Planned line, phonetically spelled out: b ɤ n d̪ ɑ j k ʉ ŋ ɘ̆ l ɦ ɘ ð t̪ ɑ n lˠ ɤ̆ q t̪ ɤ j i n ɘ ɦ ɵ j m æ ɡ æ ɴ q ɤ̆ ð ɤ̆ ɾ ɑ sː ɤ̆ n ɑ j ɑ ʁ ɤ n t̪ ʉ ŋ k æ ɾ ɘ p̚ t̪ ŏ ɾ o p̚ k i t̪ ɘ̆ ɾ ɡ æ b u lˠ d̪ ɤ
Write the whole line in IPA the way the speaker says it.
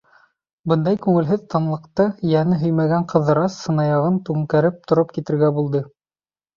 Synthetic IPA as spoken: b ɤ n d̪ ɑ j k ʉ ŋ ɘ̆ l ɦ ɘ ð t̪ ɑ n lˠ ɤ̆ q t̪ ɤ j æ n ɘ ɦ ɵ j m æ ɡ æ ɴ q ɤ̆ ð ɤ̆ ɾ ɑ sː ɤ̆ n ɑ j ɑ ʁ ɤ n t̪ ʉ ŋ k æ ɾ ɘ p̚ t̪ ŏ ɾ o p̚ k i t̪ ɘ̆ ɾ ɡ æ b u lˠ d̪ ɤ